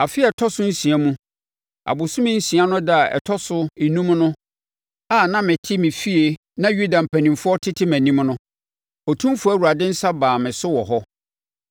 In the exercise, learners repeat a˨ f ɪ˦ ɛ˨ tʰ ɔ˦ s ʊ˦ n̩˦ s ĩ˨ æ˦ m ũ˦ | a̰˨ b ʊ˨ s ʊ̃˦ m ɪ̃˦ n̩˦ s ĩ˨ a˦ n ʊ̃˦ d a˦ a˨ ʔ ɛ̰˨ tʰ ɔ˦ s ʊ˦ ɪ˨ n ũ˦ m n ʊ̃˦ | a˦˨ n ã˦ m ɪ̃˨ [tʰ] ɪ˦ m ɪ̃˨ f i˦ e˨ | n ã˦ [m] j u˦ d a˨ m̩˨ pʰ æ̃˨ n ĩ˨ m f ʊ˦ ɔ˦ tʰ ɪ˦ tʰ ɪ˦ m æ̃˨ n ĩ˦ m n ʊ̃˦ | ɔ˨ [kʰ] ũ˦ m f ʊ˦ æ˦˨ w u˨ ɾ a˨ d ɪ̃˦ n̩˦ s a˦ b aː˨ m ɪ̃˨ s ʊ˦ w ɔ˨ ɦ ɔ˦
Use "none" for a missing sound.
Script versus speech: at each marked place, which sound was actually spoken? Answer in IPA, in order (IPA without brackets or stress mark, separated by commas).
tʰ, none, tʰ